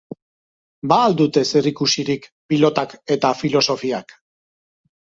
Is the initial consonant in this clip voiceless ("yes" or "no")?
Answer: no